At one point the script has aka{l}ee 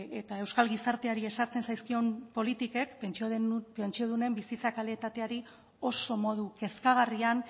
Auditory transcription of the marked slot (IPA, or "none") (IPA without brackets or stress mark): l